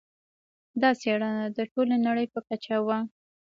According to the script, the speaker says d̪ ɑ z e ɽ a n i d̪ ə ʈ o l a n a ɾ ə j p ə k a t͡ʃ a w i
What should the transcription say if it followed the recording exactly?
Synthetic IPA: d̪ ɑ s e ɽ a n a d̪ ə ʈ o l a n a ɽ ə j p ə k a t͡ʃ a w a